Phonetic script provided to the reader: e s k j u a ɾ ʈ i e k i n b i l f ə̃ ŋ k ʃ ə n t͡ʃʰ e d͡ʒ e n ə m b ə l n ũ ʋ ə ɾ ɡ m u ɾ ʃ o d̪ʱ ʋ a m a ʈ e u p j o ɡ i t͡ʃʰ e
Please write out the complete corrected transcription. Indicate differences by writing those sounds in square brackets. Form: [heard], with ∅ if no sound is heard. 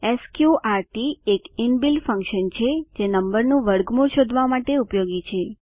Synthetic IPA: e s k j u a ɾ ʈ i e k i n b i l f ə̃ ŋ k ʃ ə n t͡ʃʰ e d͡ʒ e n ə m b ə [ɾ] n ũ ʋ ə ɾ ɡ m u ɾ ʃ o d̪ʱ ʋ a m a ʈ e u p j o ɡ i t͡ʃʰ e